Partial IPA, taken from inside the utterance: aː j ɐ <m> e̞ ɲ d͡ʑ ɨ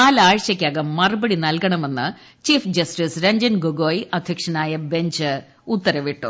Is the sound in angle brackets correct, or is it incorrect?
incorrect